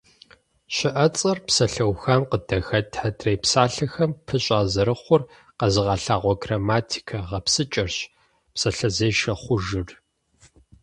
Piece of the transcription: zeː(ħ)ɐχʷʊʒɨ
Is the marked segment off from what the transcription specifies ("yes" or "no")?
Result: yes